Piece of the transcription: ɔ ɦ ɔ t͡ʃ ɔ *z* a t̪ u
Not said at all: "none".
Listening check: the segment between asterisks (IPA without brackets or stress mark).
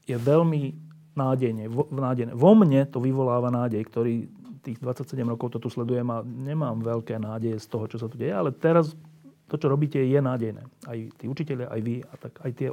s